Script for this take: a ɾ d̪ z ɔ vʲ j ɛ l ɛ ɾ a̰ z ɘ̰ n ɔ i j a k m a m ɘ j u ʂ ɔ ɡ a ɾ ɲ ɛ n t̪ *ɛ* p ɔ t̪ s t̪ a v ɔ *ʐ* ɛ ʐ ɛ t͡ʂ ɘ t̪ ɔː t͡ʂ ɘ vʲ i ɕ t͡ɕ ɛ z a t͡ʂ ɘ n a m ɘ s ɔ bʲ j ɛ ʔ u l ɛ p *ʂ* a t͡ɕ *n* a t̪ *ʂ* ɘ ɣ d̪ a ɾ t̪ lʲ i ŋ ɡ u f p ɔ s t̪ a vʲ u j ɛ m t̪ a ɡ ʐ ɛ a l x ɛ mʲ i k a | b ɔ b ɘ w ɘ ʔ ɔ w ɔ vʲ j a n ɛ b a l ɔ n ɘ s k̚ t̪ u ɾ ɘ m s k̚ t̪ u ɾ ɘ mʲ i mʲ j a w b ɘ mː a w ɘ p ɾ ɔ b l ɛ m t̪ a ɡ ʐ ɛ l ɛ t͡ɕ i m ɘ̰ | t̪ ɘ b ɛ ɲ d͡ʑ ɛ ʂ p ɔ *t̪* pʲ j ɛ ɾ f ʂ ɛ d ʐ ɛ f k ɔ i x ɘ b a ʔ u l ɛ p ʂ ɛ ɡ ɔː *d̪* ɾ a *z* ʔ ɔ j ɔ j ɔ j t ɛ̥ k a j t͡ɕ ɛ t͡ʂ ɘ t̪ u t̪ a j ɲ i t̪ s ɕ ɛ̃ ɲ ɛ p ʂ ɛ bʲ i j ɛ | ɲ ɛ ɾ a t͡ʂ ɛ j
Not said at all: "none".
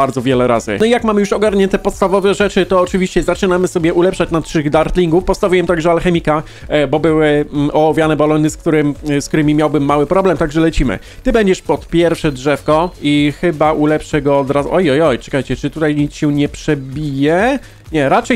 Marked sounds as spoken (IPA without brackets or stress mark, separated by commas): ɛ, v, ʂ, n, ʂ, t̪, d̪, z